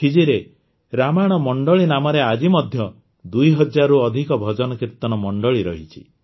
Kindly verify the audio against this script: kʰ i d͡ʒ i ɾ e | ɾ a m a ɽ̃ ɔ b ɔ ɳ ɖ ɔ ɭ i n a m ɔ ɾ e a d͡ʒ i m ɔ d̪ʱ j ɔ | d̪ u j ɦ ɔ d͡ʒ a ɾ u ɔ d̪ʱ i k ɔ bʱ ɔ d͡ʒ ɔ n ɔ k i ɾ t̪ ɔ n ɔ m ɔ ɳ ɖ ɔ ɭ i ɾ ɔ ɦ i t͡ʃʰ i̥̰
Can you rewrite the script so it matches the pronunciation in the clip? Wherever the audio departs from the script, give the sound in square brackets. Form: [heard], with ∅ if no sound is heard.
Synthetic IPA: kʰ i d͡ʒ i ɾ e | ɾ a m a ɽ̃ ɔ [m] ɔ ɳ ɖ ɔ ɭ i n a m ɔ ɾ e a d͡ʒ i m ɔ d̪ʱ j ɔ | d̪ u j ɦ ɔ d͡ʒ a ɾ u ɔ d̪ʱ i k ɔ bʱ ɔ d͡ʒ ɔ n ɔ k i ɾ t̪ ɔ n ɔ m ɔ ɳ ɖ ɔ ɭ i ɾ ɔ ɦ i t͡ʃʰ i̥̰

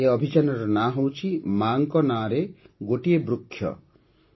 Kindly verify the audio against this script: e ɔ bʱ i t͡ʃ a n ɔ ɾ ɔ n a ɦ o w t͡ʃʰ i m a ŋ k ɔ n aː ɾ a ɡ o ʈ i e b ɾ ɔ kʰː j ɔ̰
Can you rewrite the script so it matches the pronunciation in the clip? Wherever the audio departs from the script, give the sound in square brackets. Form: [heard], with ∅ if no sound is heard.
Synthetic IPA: e ɔ bʱ i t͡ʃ a n ɔ ɾ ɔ n a ɦ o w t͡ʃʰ i m a ŋ k ɔ n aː ɾ [e] ɡ o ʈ i e b ɾ [u] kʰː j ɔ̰

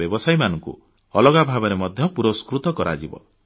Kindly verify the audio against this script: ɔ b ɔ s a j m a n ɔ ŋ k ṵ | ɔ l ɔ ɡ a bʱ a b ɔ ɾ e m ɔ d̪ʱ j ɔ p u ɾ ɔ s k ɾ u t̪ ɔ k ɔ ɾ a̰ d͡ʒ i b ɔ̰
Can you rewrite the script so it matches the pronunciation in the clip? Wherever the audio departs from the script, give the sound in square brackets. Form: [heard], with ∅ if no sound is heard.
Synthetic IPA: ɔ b ɔ s a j m a n ɔ ŋ k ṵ | ɔ l ɔ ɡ a bʱ a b ɔ ɾ e m ɔ d̪ʱ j ɔ p u ɾ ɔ s k ɾ u t̪ ɔ k ɔ ɾ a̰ d͡ʒ i b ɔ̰

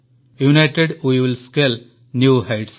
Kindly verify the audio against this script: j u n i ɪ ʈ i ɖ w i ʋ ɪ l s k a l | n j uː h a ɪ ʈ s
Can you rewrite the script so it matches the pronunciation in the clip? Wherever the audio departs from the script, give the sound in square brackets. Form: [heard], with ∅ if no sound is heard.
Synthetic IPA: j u n [a] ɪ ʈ [e] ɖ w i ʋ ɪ l s k [e] l | n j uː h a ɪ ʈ s

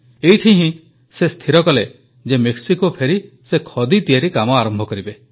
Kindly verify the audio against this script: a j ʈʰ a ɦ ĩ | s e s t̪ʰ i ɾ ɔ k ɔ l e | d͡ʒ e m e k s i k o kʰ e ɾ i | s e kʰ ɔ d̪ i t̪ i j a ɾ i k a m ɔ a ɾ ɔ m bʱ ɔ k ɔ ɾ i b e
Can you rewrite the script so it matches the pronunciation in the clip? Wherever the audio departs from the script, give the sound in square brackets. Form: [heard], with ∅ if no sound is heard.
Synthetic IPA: [e] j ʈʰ [i] ɦ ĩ | s e s t̪ʰ i ɾ ɔ k ɔ l e | d͡ʒ e m e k s i k o [pʰ] e ɾ i | s e kʰ ɔ d̪ i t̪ i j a ɾ i k a m ɔ a ɾ ɔ m bʱ ɔ k ɔ ɾ i b e

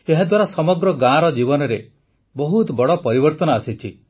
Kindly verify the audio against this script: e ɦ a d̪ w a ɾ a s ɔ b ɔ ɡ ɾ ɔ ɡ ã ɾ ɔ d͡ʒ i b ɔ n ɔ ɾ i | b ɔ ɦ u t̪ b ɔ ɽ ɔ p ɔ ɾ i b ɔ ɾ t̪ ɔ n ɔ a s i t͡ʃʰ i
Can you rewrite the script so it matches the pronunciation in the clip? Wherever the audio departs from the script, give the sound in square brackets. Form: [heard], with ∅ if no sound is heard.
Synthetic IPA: e ɦ a d̪ w a ɾ a s ɔ [m] ɔ ɡ ɾ ɔ ɡ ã ɾ ɔ d͡ʒ i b ɔ n ɔ ɾ [e] | b ɔ ɦ u t̪ b ɔ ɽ ɔ p ɔ ɾ i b ɔ ɾ t̪ ɔ n ɔ a s i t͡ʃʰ i

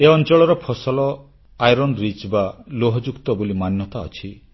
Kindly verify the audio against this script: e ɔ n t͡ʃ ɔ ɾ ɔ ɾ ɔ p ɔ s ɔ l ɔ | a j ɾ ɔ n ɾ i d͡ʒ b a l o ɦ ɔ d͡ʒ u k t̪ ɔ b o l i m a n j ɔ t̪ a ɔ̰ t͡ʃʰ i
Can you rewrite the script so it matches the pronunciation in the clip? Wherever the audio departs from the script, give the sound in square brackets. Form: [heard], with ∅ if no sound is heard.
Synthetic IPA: e ɔ n t͡ʃ ɔ [ɭ] ɔ ɾ ɔ [pʰ] ɔ s ɔ l ɔ | a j ɾ ɔ n ɾ i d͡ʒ b a l o ɦ ɔ d͡ʒ u k t̪ ɔ b o l i m a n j ɔ t̪ a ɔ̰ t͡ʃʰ i

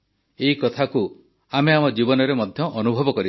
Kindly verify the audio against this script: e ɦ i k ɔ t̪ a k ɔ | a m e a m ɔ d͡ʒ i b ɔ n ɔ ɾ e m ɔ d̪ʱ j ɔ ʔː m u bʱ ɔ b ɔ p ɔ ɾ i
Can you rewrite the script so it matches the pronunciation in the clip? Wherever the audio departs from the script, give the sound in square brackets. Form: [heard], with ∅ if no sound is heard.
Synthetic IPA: e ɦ i k ɔ [t̪ʰ] a k [u] | a m e a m ɔ d͡ʒ i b ɔ n ɔ ɾ e m ɔ d̪ʱ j ɔ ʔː [n] u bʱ ɔ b ɔ [k] ɔ ɾ i

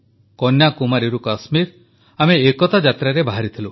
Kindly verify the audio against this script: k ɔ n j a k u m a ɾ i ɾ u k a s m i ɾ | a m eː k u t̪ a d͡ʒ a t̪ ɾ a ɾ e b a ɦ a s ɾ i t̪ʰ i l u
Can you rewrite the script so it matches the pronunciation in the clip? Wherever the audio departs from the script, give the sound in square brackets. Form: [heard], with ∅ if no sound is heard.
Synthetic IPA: k ɔ n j a k u m a ɾ i ɾ u k a s m i ɾ | a m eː k [ɔ] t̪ a d͡ʒ a t̪ ɾ a ɾ e b a ɦ a [∅] ɾ i t̪ʰ i l u

